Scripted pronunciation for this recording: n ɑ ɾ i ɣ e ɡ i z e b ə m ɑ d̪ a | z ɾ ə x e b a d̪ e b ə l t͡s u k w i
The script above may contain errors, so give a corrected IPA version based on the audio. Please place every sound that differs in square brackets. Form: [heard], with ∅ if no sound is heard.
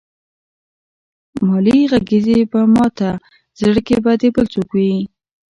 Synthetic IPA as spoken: [m] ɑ [l] i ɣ [a] ɡ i z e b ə m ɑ [t̪] a | z [ɽ] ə [k] e b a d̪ e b ə l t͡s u k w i